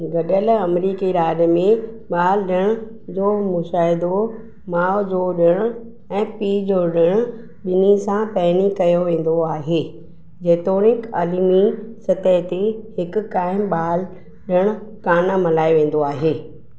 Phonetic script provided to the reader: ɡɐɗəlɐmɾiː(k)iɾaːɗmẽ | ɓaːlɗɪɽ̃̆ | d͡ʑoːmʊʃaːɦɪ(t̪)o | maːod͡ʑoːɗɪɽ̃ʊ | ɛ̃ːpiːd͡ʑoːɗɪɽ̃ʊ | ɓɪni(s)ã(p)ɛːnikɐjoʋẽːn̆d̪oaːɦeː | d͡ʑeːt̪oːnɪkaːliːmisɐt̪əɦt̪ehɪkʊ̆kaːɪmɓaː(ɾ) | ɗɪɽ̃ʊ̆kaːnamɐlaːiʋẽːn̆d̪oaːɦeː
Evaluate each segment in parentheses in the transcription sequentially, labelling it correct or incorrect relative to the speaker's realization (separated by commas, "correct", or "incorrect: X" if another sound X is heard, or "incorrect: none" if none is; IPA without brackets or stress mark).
correct, incorrect: d̪, correct, correct, incorrect: l